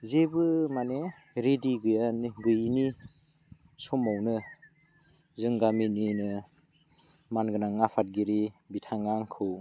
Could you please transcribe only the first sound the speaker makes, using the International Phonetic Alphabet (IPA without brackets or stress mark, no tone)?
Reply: z